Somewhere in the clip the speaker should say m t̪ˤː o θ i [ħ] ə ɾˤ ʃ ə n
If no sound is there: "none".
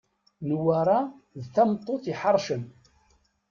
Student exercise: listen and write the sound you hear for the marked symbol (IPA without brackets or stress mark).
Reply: ħ